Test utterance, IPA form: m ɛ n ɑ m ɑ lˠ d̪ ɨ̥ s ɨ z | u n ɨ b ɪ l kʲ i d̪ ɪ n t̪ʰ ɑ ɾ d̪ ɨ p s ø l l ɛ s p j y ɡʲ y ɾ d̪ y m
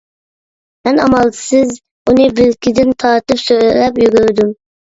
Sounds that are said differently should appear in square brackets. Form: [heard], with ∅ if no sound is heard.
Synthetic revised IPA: m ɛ n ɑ m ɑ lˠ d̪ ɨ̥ s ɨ z | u n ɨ b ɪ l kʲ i d̪ ɪ n t̪ʰ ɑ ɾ [t̪] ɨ p s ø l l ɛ [∅] p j y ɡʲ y ɾ d̪ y m